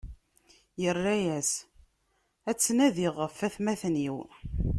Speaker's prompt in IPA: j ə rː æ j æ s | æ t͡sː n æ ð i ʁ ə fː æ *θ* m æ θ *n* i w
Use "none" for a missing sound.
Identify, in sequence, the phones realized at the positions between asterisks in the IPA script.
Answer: θ, n

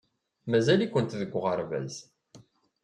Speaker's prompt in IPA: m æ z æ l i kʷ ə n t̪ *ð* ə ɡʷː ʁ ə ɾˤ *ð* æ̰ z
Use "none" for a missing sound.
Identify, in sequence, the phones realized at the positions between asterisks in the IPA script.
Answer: ð, v

